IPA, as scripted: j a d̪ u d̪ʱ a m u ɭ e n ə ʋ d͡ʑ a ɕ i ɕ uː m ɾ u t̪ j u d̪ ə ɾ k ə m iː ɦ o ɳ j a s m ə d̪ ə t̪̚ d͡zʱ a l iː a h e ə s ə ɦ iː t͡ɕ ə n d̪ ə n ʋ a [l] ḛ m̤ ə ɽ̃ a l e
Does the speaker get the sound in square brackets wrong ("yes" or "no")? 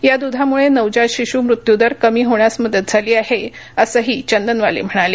no